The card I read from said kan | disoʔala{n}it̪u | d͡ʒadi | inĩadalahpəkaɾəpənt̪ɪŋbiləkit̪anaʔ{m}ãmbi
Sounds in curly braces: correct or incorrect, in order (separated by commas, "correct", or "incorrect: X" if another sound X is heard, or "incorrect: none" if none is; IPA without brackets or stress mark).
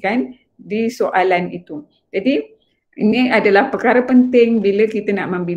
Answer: correct, correct